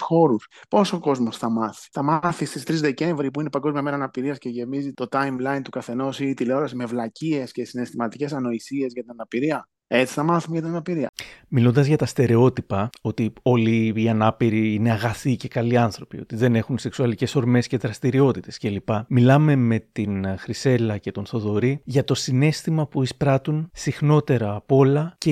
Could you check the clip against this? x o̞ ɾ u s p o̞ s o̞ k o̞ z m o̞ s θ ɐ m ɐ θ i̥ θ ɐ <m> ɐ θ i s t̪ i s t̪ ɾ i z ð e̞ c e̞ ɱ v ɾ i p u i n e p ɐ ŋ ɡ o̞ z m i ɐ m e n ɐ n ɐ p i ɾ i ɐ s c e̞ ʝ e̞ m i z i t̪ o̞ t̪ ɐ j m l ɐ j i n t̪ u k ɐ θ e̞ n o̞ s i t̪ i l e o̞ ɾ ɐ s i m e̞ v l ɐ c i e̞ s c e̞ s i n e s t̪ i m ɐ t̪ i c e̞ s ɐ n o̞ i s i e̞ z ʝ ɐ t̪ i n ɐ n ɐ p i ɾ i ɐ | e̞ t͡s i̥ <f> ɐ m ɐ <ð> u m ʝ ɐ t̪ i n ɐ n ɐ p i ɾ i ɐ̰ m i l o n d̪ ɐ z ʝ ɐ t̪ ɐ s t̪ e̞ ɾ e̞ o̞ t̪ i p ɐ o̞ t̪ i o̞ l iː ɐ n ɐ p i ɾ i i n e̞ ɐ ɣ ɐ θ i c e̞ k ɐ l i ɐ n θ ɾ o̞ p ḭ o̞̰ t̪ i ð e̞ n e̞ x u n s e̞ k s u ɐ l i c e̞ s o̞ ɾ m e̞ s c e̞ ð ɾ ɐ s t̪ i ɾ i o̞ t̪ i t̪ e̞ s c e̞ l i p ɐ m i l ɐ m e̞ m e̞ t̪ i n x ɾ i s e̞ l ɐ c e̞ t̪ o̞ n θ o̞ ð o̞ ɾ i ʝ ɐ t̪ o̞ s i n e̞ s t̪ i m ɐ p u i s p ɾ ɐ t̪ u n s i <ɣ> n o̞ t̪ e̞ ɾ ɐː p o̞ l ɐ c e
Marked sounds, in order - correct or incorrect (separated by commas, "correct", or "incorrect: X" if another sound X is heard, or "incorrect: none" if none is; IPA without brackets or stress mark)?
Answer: correct, incorrect: θ, incorrect: θ, incorrect: x